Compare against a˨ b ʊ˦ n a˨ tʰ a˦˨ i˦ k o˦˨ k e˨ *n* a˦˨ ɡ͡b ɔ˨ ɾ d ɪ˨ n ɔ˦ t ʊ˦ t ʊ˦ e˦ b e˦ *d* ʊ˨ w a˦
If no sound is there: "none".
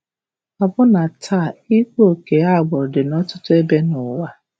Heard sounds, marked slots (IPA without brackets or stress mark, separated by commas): none, n